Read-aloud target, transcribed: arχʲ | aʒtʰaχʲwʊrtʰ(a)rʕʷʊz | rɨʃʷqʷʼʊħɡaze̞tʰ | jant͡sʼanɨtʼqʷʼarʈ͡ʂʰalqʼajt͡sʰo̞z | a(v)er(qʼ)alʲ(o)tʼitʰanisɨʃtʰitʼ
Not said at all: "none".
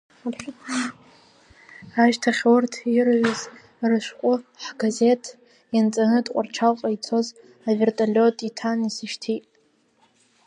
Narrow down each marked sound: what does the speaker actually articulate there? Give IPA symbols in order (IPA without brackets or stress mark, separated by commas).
i, v, tʼ, o